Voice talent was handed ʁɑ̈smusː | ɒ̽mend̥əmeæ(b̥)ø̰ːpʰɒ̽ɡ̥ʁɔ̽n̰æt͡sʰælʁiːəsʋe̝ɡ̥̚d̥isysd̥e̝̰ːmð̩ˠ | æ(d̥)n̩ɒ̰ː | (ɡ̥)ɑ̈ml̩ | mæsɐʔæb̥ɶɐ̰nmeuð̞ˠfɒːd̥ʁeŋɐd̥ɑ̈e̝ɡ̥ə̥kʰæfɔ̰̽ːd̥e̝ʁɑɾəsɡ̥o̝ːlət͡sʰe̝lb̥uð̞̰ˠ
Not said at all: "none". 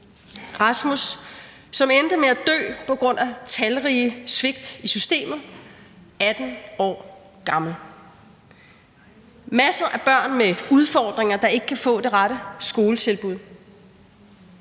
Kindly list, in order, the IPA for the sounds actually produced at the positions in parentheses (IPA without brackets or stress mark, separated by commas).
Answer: d̥, d̥, ɡ̥